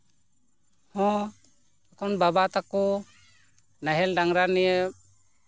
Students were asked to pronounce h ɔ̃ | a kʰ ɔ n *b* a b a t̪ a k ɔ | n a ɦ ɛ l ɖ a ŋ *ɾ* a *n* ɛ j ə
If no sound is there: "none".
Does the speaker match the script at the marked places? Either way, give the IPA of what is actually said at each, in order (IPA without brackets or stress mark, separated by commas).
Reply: b, ɾ, n